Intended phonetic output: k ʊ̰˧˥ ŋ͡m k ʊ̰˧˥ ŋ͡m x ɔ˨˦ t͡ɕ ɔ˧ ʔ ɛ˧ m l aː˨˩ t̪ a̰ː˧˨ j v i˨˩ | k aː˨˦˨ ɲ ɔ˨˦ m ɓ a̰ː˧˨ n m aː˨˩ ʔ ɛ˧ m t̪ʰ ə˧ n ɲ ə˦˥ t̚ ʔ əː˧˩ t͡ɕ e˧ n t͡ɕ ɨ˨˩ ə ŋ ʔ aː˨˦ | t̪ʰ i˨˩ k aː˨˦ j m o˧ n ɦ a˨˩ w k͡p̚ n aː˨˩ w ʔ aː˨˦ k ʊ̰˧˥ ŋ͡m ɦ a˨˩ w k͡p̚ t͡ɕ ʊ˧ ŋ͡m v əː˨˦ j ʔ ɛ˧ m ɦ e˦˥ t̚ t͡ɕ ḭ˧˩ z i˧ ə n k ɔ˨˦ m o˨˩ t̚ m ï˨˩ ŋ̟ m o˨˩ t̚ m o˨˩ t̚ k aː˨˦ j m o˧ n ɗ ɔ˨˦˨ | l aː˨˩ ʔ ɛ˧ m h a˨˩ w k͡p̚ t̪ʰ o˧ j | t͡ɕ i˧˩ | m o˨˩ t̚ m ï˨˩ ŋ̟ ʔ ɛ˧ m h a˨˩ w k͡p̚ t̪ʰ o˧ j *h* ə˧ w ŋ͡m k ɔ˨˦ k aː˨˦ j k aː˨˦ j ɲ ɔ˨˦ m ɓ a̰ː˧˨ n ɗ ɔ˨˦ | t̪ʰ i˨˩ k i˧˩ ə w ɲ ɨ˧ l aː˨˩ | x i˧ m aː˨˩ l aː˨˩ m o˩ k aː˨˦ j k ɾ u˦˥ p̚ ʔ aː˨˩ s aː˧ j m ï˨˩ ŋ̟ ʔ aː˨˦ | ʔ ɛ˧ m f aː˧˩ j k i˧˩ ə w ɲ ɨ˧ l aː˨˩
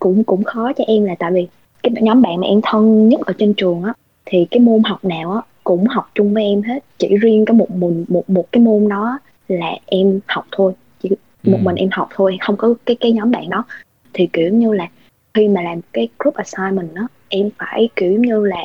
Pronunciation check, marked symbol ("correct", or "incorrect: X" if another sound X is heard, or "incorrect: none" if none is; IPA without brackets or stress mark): incorrect: x